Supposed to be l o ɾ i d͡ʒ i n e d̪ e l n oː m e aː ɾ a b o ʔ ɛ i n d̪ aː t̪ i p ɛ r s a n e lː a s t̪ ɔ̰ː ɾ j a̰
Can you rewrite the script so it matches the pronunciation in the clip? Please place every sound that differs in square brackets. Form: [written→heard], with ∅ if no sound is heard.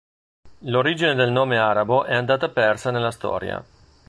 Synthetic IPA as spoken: l o ɾ i d͡ʒ i n e d̪ e l n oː m e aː ɾ a b o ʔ ɛ [i→a] n d̪ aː t̪ [i→a] p ɛ r s a n e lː a s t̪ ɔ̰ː ɾ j a̰